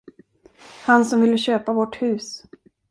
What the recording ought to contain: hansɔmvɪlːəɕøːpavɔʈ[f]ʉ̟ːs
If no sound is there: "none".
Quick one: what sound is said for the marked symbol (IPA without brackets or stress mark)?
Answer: h